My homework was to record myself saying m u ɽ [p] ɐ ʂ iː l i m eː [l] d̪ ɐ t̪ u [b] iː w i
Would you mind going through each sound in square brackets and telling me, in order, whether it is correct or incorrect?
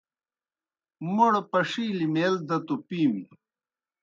correct, correct, incorrect

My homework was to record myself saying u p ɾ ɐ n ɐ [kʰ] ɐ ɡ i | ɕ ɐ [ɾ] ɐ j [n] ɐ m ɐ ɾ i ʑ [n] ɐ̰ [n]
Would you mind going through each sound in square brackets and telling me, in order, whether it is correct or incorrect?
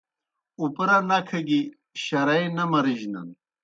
correct, correct, correct, correct, correct

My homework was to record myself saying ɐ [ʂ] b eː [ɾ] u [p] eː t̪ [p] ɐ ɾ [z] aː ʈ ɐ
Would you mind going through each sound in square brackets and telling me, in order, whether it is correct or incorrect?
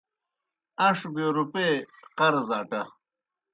correct, correct, correct, incorrect, correct

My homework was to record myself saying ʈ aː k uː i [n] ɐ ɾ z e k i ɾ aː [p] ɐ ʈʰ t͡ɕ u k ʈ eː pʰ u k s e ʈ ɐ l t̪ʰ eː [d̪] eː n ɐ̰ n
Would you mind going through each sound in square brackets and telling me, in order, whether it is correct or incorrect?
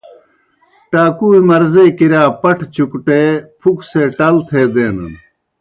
incorrect, correct, correct

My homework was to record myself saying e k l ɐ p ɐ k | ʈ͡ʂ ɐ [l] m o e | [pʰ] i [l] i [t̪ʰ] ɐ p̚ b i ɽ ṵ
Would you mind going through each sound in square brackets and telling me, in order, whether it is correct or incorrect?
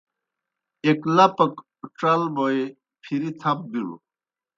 correct, correct, incorrect, correct

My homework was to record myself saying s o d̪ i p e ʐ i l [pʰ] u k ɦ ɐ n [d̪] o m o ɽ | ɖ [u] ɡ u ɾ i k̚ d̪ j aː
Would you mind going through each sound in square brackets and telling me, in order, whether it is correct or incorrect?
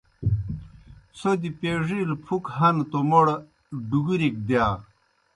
correct, incorrect, correct

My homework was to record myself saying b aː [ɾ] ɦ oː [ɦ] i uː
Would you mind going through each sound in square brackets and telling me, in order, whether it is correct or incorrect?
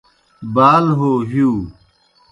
incorrect, correct

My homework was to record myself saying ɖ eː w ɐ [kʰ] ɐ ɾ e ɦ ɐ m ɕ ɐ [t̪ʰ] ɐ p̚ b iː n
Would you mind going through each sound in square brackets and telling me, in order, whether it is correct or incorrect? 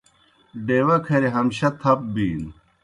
correct, correct

